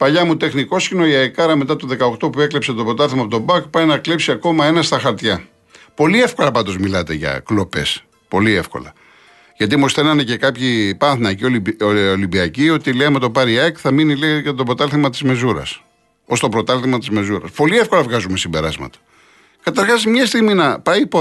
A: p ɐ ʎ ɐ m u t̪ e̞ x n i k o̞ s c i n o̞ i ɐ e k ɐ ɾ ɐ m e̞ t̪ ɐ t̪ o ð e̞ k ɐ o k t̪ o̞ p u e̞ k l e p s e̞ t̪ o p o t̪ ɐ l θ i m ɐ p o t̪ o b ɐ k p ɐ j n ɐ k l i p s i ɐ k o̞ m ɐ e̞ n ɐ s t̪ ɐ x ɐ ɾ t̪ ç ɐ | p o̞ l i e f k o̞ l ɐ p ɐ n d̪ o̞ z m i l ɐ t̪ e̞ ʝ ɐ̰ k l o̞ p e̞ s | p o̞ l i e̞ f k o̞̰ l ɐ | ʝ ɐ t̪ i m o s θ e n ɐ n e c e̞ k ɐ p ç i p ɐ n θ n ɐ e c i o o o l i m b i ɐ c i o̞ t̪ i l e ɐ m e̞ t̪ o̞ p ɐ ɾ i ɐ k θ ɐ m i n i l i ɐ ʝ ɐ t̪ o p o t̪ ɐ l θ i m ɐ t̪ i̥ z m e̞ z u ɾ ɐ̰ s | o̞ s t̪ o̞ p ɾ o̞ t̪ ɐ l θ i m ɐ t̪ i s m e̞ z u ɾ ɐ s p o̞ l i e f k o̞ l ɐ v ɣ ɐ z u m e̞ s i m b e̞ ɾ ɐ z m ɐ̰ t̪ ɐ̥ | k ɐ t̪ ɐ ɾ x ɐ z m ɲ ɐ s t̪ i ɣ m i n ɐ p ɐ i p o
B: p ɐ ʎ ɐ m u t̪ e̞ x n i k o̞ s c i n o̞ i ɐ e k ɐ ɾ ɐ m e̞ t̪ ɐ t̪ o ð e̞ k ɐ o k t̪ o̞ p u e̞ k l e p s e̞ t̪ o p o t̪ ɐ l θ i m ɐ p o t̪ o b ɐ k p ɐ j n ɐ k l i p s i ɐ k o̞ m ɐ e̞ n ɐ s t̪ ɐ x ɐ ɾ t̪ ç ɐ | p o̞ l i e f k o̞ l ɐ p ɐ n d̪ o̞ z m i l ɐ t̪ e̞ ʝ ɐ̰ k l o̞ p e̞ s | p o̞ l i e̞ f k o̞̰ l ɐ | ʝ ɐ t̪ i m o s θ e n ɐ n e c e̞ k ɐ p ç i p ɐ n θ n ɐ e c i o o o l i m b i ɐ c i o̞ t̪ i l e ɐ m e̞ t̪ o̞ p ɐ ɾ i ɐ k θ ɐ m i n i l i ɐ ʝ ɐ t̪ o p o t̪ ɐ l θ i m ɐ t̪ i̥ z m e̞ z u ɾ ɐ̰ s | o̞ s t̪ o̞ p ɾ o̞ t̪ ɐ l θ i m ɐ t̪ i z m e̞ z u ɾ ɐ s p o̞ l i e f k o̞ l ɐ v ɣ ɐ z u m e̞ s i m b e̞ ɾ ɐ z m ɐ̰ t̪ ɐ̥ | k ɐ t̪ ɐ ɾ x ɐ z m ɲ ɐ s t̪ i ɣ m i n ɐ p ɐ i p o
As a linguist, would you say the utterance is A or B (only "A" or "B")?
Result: B